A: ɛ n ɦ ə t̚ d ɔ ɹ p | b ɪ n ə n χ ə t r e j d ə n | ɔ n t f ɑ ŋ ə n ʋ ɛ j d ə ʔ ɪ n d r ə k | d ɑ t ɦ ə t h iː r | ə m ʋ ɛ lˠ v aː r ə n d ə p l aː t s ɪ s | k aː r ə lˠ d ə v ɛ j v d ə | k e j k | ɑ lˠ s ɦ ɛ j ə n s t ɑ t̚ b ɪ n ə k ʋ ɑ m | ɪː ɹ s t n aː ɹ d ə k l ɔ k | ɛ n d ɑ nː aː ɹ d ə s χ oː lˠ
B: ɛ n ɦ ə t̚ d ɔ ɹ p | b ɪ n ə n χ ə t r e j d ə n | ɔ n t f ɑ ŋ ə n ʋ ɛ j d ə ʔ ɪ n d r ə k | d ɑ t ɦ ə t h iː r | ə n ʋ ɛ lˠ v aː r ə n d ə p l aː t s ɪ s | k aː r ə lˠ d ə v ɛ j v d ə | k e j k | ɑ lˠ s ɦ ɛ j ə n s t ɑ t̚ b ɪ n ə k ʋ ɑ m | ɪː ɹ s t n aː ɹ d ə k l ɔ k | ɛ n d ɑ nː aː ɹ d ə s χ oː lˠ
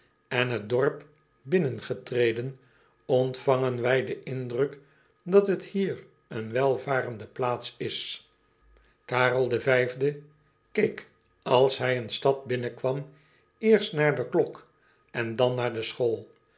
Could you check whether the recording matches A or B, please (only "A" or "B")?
B